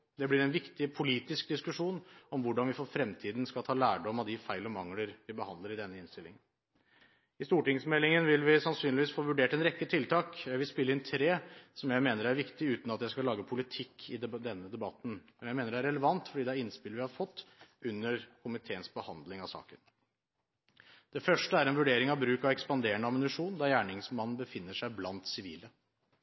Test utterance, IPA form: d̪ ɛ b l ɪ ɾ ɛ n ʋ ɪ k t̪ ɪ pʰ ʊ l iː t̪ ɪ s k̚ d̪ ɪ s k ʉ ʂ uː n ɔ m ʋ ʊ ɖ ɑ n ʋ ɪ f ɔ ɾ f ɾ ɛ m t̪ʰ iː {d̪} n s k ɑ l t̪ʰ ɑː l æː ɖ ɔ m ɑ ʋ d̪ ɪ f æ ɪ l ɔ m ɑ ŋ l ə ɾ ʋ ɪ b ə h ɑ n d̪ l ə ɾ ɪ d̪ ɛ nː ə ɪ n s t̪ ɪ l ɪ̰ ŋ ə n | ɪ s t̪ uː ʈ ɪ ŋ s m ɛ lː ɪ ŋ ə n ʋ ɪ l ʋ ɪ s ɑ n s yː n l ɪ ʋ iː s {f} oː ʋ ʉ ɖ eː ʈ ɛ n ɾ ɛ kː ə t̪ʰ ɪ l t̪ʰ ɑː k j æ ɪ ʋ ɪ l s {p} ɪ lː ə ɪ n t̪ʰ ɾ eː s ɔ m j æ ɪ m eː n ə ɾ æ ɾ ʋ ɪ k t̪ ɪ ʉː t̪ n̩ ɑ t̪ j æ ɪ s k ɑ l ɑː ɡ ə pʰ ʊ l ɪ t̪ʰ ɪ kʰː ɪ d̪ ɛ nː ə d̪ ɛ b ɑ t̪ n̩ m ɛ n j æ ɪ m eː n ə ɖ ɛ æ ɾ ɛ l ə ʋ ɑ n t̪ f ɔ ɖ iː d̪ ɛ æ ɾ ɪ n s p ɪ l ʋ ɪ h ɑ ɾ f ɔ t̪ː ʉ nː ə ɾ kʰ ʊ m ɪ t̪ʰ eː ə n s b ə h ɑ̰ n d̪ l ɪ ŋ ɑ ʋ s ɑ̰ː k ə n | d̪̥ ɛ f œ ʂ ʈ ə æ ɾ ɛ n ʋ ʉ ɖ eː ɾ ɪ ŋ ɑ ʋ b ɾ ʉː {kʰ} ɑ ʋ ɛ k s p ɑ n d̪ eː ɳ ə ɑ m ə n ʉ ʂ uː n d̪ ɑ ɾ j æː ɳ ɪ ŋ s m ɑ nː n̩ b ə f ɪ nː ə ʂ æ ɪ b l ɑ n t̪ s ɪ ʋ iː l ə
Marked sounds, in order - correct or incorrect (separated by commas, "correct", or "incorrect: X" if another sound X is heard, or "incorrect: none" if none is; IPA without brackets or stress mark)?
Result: correct, correct, correct, incorrect: k